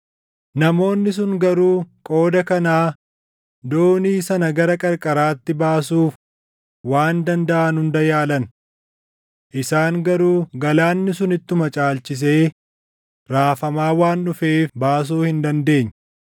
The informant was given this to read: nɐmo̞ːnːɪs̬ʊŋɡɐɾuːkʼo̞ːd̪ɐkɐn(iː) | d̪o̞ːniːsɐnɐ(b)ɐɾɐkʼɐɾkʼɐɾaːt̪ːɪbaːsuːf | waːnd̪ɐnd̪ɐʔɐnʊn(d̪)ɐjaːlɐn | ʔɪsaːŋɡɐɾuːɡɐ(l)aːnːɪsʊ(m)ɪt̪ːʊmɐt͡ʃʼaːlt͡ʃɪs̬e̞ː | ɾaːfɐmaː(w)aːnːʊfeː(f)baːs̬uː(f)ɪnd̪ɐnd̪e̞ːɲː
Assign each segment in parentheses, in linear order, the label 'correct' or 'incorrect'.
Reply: incorrect, incorrect, correct, correct, incorrect, correct, correct, incorrect

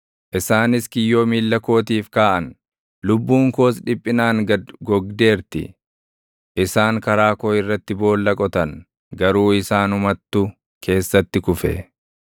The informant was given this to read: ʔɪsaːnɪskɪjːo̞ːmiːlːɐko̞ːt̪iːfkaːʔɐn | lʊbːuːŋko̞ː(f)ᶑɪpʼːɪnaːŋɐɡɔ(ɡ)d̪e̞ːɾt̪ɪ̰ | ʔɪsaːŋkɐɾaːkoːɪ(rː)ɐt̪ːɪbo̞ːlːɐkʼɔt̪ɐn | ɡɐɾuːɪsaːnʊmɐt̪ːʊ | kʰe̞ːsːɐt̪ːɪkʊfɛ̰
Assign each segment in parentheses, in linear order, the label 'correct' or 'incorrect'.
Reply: incorrect, correct, correct

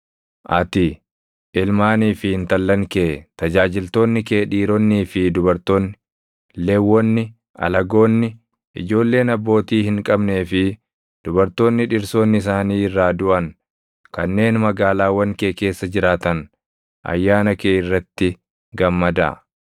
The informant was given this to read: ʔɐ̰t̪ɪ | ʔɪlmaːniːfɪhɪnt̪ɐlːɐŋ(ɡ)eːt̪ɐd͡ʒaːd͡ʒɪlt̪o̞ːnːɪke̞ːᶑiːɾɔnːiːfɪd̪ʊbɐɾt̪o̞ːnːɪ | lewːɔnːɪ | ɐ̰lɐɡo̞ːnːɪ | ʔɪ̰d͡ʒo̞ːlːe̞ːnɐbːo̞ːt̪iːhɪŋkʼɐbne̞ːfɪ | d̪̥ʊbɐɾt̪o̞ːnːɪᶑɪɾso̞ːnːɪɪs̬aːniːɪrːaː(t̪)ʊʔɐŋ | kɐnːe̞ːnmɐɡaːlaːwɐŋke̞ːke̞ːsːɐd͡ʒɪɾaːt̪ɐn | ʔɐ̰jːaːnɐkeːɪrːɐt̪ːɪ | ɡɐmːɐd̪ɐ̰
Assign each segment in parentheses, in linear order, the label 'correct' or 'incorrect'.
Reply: incorrect, incorrect

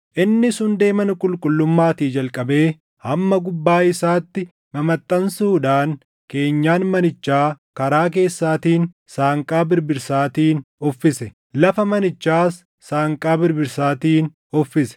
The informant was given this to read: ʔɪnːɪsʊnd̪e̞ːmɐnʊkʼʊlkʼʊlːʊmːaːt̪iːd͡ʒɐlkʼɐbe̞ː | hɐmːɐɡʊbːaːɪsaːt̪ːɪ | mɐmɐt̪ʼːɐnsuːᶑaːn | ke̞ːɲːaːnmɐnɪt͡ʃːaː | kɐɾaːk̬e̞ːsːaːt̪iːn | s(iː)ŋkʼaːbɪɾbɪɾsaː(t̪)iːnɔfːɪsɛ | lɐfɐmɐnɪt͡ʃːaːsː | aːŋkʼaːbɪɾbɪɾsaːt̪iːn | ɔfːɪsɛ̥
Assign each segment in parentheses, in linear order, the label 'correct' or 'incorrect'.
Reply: incorrect, correct

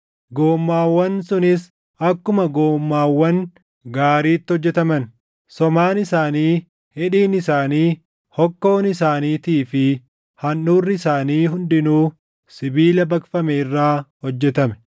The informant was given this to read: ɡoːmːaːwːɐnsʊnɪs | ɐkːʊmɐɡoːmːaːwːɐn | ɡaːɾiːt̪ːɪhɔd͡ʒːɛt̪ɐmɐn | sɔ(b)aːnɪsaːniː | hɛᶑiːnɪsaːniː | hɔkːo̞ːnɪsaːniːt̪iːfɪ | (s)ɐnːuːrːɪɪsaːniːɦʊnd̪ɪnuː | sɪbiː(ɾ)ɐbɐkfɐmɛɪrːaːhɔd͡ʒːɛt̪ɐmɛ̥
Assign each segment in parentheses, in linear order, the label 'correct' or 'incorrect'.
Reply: incorrect, incorrect, incorrect

